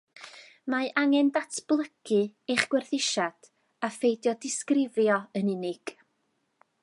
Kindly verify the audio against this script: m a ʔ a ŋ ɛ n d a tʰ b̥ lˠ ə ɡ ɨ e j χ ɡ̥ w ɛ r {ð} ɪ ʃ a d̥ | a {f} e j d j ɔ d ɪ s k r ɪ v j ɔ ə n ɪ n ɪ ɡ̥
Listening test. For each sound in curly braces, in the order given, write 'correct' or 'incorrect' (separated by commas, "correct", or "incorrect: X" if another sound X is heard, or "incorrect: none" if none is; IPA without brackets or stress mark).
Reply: incorrect: θ, correct